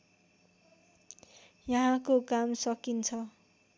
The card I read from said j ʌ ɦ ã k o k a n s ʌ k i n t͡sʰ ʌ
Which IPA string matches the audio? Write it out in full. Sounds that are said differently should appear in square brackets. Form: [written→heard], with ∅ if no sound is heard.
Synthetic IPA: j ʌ ɦ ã k o k a [n→m] s ʌ k i n t͡sʰ ʌ